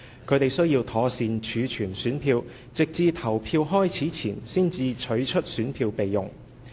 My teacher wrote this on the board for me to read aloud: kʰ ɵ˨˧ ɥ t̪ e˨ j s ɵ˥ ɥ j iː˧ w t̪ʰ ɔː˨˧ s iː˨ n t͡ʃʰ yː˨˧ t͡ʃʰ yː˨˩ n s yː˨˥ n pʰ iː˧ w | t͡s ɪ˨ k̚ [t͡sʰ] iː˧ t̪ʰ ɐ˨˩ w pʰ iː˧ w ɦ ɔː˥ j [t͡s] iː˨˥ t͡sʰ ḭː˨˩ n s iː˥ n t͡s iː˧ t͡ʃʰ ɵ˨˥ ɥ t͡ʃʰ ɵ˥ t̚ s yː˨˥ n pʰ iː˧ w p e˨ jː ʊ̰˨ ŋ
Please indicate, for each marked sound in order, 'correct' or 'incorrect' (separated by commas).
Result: incorrect, incorrect